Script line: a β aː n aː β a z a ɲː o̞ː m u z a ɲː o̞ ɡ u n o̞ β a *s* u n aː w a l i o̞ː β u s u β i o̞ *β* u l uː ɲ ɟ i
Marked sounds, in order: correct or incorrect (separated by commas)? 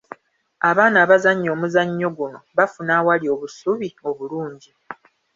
incorrect, correct